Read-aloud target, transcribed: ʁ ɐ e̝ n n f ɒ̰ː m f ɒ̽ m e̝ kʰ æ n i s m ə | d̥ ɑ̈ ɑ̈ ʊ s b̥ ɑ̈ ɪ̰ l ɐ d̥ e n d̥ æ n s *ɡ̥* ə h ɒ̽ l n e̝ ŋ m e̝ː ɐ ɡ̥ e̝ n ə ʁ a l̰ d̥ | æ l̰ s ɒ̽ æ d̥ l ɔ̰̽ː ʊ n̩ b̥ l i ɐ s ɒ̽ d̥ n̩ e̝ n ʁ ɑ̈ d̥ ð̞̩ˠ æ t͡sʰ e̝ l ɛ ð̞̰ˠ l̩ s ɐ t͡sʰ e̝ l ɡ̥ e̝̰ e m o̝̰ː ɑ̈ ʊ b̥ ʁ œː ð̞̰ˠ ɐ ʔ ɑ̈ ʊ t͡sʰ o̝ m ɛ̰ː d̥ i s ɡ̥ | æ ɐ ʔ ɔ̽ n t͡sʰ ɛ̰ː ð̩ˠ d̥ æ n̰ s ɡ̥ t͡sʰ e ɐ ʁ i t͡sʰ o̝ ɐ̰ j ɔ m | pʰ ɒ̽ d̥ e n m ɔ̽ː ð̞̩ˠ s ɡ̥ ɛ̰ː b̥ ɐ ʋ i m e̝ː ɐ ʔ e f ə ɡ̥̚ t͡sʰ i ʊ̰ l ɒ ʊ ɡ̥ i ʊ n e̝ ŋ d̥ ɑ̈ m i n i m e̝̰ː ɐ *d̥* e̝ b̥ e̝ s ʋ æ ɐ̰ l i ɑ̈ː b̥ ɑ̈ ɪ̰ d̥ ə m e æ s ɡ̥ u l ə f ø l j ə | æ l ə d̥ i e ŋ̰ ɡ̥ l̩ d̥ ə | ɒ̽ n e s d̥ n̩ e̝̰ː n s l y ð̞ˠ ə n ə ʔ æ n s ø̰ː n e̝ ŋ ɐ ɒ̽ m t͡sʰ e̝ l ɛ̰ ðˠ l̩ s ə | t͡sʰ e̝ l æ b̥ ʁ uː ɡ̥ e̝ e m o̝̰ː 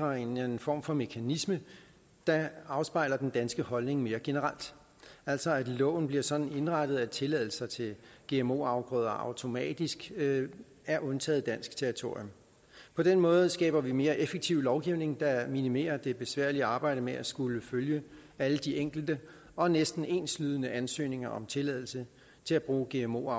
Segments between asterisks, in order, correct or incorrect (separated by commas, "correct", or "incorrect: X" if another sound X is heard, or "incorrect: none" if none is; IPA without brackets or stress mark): correct, correct